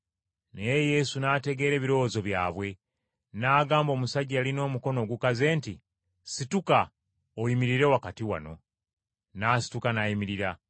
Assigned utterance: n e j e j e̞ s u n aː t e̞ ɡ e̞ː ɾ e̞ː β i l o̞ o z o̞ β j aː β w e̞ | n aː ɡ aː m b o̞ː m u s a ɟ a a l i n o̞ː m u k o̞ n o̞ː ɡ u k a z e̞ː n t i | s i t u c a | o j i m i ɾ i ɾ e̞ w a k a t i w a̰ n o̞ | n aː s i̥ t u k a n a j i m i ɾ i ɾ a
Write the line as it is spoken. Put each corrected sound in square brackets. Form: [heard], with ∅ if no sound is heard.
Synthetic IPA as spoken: n e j e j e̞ s u n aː t e̞ ɡ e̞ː ɾ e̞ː β i [ɾ] o̞ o z o̞ β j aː β w e̞ | n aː ɡ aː m b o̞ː m u s a ɟ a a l i n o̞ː m u k o̞ n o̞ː ɡ u k a z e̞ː n t i | s i t u [k] a | o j i m i ɾ i ɾ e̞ w a k a t i w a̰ n o̞ | n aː s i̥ t u k a n a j i m i ɾ i ɾ a